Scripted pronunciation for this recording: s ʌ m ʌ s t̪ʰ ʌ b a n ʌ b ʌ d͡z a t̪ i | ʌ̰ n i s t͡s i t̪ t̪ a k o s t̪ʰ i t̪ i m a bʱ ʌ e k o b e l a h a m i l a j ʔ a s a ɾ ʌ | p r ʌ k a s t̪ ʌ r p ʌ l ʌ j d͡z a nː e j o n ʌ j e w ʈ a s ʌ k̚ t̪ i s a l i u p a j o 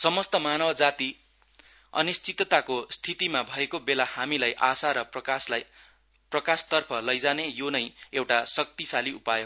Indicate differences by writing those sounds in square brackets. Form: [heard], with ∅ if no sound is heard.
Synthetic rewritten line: s ʌ m ʌ s [t̪] ʌ [m] a n ʌ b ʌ d͡z a t̪ i | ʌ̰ n i s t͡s i t̪ t̪ a k o s t̪ʰ i t̪ i m a bʱ ʌ e k o b e l a h a m i l a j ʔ a s a ɾ ʌ | p r ʌ k a s t̪ ʌ r [pʰ] ʌ l ʌ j d͡z a [n] e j o n ʌ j e w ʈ a s ʌ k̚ t̪ i s a l i u p a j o